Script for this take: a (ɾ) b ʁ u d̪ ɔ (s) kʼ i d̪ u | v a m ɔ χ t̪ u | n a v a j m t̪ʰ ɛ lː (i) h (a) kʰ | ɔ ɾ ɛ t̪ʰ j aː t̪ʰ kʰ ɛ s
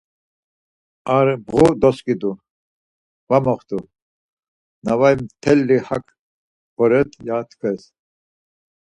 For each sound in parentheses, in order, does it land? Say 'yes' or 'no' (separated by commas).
yes, yes, yes, yes